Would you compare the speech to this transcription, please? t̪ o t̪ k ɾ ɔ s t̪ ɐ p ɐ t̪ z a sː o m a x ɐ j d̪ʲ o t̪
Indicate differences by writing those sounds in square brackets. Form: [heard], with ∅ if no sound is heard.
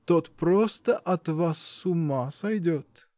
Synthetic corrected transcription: t̪ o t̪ [p] ɾ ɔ s t̪ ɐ [ʔ] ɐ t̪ [v] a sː [u] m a [s] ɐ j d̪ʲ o t̪